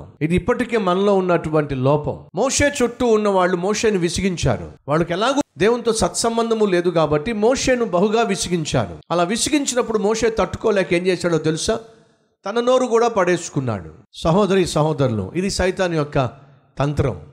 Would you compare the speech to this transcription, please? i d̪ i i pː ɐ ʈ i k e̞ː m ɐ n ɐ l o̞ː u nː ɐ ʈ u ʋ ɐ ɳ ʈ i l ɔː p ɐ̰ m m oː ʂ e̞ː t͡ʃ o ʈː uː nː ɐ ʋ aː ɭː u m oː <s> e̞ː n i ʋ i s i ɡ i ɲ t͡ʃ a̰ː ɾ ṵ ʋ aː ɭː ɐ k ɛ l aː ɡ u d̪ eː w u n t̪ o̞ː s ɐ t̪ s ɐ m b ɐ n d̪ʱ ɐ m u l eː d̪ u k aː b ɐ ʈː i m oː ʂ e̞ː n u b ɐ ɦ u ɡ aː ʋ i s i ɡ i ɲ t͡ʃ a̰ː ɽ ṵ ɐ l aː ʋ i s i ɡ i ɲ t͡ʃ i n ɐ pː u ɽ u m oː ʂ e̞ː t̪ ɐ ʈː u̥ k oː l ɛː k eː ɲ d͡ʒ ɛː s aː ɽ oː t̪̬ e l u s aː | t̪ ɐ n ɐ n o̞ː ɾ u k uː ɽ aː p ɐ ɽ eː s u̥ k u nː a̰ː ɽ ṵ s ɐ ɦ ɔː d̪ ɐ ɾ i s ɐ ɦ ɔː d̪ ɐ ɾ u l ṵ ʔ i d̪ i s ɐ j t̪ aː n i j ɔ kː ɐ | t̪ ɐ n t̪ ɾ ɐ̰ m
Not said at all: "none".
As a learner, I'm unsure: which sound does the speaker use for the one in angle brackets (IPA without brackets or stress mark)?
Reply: ʂ